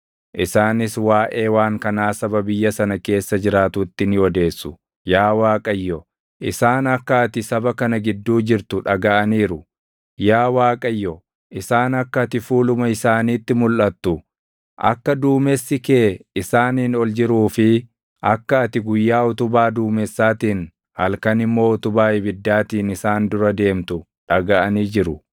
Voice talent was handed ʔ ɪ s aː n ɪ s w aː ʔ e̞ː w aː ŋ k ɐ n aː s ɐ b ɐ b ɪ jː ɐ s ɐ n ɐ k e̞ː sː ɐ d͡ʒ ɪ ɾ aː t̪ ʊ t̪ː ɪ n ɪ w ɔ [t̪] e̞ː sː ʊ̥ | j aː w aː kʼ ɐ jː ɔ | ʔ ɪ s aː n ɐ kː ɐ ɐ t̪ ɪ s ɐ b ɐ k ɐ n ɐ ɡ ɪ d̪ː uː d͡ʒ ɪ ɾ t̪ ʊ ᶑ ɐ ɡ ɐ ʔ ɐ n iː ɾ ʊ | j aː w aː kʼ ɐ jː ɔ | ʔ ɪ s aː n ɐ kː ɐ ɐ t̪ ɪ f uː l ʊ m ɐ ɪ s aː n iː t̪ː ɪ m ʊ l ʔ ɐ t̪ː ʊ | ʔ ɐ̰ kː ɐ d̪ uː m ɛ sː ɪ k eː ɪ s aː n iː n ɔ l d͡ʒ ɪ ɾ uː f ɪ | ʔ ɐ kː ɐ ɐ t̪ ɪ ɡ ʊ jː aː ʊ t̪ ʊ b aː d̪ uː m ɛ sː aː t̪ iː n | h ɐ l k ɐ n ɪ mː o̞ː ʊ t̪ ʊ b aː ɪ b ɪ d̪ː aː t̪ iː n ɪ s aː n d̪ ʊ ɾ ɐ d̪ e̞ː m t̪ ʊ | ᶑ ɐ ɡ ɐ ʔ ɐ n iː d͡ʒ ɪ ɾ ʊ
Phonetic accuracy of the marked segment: incorrect: d̪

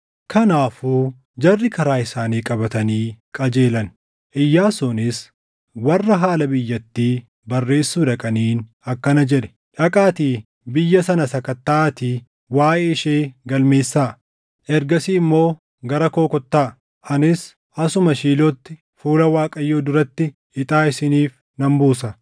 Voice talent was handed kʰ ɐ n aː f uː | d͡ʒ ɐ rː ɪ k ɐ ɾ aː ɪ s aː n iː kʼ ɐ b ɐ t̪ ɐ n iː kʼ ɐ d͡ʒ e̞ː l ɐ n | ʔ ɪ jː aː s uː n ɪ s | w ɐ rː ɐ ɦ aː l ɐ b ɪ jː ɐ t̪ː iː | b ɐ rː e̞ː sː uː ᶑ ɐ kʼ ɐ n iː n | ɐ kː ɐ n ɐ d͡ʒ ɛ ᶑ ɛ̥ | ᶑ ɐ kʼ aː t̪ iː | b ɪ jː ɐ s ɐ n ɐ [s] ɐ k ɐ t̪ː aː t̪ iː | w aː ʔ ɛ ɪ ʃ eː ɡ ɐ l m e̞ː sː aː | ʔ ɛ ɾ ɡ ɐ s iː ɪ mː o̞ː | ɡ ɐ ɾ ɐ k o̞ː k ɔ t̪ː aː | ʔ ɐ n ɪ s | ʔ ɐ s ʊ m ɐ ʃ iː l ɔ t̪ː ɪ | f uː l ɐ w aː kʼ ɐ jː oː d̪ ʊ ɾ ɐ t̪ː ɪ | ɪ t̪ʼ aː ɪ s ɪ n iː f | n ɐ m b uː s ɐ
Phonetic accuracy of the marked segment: correct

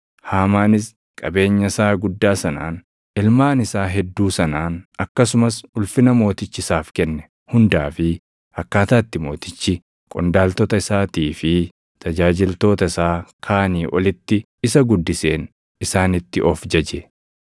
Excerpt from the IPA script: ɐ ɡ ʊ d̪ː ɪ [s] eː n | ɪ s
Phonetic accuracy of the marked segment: correct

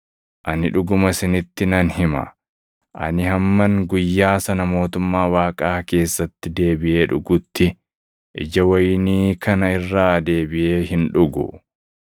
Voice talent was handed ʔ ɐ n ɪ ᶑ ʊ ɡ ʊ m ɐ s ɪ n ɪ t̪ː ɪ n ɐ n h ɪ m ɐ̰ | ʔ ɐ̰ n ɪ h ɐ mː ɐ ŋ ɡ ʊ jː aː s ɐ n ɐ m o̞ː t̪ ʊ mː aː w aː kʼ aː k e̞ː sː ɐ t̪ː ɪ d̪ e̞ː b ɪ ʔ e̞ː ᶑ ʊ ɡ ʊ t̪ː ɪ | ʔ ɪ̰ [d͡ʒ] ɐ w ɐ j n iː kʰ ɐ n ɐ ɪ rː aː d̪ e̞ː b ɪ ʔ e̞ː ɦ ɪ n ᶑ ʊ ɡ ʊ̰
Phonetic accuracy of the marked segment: correct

